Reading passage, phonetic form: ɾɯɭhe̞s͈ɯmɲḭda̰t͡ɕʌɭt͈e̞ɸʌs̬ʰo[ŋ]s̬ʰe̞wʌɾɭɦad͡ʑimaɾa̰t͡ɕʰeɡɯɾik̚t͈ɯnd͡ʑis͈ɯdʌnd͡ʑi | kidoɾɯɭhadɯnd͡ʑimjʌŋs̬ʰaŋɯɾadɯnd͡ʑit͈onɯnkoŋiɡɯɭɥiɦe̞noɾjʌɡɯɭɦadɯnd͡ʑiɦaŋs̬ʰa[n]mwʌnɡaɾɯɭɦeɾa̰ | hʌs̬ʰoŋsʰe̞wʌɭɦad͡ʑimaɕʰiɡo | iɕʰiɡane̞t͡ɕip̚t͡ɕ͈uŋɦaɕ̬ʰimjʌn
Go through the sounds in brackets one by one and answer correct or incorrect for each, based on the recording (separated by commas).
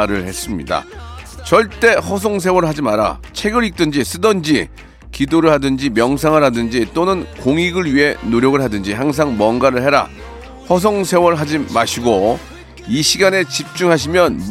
correct, incorrect